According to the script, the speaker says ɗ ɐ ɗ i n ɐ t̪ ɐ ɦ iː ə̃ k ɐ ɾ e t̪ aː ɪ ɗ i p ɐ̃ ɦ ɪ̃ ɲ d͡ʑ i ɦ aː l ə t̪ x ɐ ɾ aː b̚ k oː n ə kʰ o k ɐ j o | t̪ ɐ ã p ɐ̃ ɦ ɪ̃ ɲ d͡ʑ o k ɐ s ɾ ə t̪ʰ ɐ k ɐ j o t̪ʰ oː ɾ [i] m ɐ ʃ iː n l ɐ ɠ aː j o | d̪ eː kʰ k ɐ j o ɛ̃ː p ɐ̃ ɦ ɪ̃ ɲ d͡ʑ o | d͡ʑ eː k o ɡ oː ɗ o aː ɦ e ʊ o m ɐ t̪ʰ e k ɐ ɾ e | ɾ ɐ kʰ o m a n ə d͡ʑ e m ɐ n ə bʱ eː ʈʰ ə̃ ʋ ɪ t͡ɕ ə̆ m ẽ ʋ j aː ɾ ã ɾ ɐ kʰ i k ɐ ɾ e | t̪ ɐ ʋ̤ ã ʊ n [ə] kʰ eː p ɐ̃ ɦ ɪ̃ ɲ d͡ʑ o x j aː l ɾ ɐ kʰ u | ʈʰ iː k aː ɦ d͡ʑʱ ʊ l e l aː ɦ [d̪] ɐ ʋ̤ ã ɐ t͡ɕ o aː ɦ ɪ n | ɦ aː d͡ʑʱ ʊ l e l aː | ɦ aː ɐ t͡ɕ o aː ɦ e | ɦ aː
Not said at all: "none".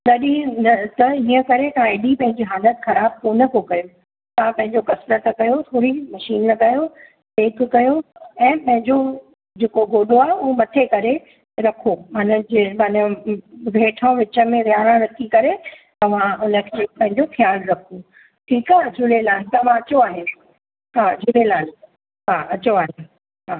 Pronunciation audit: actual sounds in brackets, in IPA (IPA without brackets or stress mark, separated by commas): i, ə, t̪